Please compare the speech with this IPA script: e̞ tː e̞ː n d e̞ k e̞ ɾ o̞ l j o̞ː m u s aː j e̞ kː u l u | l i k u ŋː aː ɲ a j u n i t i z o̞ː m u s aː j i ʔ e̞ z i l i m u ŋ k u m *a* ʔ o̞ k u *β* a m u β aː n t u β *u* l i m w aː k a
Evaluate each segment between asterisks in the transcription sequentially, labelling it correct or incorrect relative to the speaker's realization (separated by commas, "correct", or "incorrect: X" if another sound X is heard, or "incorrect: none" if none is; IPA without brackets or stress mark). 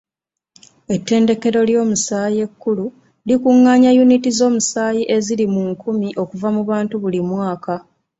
incorrect: i, incorrect: v, correct